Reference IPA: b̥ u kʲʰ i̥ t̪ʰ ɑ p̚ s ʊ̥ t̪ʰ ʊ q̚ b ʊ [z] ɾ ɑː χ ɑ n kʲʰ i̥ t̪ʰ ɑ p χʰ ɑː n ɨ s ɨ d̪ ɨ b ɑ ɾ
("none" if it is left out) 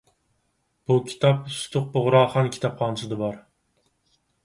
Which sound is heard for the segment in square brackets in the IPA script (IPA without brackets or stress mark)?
ʁ